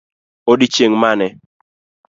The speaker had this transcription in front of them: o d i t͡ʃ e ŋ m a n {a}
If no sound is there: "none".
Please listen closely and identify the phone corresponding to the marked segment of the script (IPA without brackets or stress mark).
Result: ɛ